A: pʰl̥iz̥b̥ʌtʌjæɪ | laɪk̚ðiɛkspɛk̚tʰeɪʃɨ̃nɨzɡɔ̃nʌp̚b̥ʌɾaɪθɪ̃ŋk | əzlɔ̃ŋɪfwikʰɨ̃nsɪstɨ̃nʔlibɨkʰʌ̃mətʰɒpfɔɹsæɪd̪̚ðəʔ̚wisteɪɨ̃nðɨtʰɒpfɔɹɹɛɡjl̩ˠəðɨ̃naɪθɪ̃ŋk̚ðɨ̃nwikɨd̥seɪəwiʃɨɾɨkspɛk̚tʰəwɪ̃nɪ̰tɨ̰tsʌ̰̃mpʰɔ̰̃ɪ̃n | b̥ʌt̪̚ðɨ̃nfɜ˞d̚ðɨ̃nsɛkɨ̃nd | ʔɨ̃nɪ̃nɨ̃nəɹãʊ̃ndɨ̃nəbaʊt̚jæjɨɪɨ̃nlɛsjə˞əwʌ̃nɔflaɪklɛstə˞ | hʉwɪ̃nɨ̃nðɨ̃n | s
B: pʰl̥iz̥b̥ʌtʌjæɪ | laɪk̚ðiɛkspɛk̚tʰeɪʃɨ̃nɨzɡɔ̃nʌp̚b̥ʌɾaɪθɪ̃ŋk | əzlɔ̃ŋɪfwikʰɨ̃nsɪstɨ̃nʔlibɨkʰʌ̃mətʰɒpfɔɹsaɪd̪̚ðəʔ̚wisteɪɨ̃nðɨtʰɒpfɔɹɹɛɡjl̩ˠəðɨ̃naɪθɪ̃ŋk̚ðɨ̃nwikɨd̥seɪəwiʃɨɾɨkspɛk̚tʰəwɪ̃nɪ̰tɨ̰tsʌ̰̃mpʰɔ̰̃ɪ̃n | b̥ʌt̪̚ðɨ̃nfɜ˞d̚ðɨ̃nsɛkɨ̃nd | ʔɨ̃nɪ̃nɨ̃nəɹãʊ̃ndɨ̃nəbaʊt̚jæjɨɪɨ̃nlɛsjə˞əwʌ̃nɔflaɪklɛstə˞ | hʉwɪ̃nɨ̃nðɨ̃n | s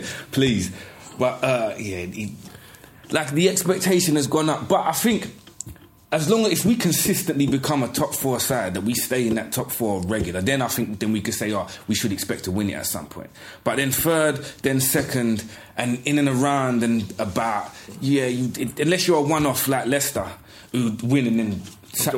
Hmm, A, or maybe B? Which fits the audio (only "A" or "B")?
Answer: B